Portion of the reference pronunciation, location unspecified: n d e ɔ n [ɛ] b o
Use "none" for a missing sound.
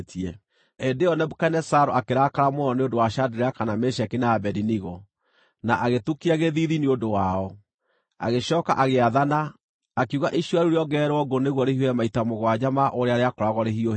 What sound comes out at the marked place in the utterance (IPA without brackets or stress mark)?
ɛ